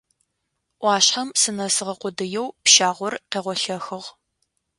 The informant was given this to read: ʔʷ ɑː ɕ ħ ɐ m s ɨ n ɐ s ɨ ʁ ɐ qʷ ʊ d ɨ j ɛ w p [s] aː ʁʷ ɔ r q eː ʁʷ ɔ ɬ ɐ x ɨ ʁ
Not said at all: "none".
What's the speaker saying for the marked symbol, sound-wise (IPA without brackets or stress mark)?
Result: ʃ